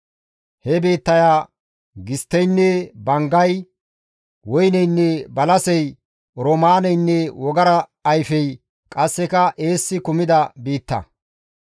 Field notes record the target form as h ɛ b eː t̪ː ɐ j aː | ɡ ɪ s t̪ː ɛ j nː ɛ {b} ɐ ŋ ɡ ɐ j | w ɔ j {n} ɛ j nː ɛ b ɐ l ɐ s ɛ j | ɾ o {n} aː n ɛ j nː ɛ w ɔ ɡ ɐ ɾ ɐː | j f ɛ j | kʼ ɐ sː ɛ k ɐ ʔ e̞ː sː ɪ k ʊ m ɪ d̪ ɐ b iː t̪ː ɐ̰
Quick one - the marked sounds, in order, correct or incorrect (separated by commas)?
correct, correct, incorrect